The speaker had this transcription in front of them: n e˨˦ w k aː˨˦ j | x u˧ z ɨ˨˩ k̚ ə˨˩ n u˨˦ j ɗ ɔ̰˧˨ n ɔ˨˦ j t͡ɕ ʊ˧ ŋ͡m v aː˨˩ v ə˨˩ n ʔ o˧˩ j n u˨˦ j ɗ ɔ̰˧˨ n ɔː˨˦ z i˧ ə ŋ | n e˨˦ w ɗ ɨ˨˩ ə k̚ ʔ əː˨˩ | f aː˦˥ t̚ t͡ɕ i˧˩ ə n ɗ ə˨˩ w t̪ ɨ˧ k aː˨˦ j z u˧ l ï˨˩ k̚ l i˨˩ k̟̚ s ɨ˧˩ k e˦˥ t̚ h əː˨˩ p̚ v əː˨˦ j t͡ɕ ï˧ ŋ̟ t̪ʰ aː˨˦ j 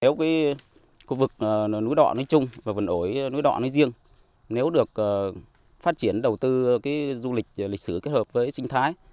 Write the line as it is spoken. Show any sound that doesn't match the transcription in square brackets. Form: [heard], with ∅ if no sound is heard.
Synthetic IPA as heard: n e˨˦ w k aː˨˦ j | x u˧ [v] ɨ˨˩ k̚ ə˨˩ n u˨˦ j ɗ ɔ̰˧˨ n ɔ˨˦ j t͡ɕ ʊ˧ ŋ͡m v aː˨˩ v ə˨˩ n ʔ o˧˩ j n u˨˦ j ɗ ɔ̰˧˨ n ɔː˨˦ z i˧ ə ŋ | n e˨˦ w ɗ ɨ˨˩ ə k̚ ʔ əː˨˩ | f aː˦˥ t̚ t͡ɕ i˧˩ ə n ɗ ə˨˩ w t̪ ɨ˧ k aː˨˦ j z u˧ l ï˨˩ k̚ l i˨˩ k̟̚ s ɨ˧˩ k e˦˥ t̚ h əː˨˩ p̚ v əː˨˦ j t͡ɕ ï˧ ŋ̟ t̪ʰ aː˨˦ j

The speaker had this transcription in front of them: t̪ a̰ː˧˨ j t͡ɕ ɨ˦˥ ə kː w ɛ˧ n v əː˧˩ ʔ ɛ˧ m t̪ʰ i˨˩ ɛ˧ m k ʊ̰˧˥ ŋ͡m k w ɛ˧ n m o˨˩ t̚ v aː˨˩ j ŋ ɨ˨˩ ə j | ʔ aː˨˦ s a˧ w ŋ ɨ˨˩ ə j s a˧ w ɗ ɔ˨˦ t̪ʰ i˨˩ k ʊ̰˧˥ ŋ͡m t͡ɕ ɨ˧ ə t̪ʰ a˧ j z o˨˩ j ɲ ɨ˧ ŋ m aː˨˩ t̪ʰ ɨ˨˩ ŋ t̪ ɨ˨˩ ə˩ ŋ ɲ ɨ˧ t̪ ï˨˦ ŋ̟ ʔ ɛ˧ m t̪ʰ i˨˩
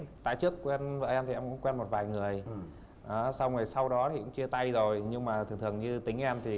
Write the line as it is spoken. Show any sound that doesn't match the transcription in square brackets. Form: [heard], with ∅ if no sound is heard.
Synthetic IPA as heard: t̪ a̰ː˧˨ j t͡ɕ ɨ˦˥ ə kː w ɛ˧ n v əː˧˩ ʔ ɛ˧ m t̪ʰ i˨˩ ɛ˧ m k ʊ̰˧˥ ŋ͡m k w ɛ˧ n m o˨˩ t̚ v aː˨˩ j ŋ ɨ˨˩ ə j | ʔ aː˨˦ s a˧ w ŋ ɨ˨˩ ə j s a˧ w ɗ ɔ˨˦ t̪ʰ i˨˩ k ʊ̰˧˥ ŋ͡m t͡ɕ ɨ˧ ə [t̪] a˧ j z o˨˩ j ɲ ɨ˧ ŋ m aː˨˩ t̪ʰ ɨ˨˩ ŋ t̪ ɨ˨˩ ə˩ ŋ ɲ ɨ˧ t̪ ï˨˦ ŋ̟ ʔ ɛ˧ m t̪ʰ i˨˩

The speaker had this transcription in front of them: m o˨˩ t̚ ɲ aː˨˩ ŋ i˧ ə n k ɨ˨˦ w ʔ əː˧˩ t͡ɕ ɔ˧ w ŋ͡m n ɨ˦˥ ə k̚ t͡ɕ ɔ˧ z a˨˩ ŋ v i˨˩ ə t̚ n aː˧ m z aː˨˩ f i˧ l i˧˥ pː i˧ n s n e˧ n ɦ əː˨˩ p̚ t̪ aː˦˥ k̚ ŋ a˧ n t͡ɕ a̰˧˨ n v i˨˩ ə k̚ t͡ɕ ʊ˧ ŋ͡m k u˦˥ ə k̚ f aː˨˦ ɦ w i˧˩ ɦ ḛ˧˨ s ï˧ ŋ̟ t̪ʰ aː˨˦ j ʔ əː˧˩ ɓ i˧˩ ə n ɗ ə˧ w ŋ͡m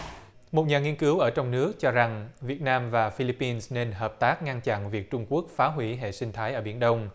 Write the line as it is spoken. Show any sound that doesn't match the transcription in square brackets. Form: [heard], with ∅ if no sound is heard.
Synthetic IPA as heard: m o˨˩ t̚ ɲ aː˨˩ ŋ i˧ ə n k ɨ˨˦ w ʔ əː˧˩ t͡ɕ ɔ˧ w ŋ͡m n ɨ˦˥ ə k̚ t͡ɕ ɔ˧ z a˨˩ ŋ v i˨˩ ə t̚ n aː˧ m [v] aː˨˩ f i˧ l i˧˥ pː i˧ n s n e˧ n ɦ əː˨˩ p̚ t̪ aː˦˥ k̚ ŋ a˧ n t͡ɕ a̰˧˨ n v i˨˩ ə k̚ t͡ɕ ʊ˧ ŋ͡m k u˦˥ ə k̚ f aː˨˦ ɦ w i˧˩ ɦ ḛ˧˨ s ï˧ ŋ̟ t̪ʰ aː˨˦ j ʔ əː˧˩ ɓ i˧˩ ə n ɗ ə˧ w ŋ͡m

